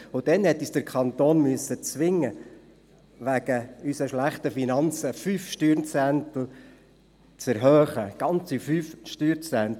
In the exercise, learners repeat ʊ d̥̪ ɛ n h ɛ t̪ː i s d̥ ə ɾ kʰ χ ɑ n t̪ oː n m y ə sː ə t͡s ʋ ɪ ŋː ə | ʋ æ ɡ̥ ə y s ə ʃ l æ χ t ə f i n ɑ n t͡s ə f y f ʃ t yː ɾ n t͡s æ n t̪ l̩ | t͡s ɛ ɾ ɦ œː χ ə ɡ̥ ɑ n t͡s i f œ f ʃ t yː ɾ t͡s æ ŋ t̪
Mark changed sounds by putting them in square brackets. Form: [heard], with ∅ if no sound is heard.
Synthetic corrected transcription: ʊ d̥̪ ɛ n h ɛ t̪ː i s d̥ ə ɾ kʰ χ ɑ n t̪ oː n m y ə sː ə t͡s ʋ ɪ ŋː ə | ʋ æ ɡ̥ ə y s ə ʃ l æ χ t ə f i n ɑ n t͡s ə f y f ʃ t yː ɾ n t͡s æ n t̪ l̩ | t͡s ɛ ɾ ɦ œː χ ə ɡ̥ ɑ n t͡s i f [y] f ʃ t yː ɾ t͡s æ [n] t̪